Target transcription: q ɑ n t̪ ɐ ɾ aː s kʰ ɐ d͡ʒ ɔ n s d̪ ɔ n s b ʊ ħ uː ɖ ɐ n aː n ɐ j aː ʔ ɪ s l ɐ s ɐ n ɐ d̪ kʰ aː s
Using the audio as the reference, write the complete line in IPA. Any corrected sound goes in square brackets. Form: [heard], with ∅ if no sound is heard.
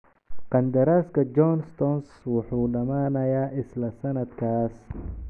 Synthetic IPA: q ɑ n [d̪] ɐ ɾ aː s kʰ ɐ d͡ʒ ɔ n s [t̪] ɔ n s [w] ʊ ħ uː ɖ ɐ [m] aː n ɐ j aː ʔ ɪ s l ɐ s ɐ n ɐ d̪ kʰ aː s